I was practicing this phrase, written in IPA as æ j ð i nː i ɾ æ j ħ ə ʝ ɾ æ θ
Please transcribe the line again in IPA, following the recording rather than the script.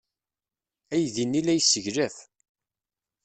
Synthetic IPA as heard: æ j ð i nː i l æ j s ə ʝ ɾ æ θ